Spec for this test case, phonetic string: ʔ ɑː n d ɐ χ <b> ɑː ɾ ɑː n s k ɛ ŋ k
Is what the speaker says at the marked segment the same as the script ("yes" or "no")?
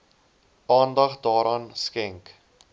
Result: no